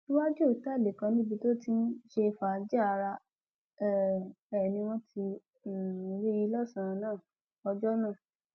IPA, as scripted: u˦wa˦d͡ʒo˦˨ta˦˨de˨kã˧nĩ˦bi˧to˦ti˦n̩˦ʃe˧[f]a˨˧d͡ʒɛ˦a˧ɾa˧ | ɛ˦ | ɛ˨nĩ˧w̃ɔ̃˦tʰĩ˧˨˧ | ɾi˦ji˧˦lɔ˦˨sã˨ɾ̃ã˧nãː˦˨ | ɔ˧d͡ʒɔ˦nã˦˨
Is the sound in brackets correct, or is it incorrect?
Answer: correct